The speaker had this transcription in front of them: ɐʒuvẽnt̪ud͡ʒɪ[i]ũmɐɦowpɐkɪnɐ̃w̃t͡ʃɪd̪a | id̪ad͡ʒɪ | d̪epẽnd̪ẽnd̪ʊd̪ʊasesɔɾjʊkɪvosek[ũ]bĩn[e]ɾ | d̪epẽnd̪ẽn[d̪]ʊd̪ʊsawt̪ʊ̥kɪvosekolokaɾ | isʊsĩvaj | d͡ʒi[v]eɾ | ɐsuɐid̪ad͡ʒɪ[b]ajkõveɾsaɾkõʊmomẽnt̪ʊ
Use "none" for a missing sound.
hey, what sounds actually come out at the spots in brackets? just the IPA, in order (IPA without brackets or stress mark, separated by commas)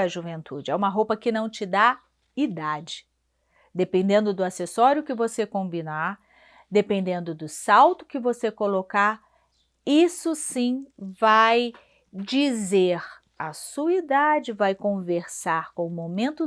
ɛ, õ, a, d̪, z, v